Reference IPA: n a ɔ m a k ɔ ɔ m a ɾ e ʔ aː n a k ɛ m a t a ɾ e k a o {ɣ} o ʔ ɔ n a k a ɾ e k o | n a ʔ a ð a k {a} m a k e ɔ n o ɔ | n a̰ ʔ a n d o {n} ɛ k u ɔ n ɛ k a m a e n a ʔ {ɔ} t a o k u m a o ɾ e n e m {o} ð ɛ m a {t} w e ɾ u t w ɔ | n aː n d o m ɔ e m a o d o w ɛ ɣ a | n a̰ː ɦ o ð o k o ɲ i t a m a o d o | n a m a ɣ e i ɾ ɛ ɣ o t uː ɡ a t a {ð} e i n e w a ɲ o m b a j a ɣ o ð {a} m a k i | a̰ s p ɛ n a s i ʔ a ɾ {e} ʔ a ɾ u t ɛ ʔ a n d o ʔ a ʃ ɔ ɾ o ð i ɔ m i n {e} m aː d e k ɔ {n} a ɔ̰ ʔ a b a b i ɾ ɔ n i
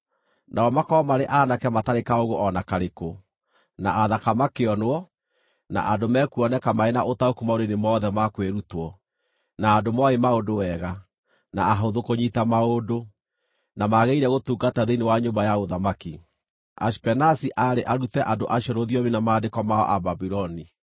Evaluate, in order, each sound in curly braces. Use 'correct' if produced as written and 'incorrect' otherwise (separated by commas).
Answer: correct, correct, incorrect, incorrect, incorrect, incorrect, correct, correct, correct, incorrect, incorrect